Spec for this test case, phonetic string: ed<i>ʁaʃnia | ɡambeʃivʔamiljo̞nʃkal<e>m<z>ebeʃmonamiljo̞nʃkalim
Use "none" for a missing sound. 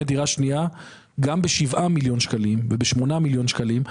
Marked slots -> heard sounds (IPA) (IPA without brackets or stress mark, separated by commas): i, i, v